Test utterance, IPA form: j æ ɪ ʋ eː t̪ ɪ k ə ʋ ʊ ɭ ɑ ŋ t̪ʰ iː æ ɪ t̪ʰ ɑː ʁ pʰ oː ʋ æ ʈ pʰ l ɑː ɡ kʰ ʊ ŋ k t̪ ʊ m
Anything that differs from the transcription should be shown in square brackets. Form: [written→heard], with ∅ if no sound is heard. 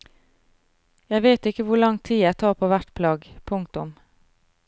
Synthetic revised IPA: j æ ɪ ʋ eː t̪ ɪ k ə ʋ ʊ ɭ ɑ ŋ t̪ʰ iː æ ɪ t̪ʰ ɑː ʁ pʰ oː ʋ æ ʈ pʰ l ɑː ɡ [kʰ→pʰ] ʊ ŋ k t̪ ʊ m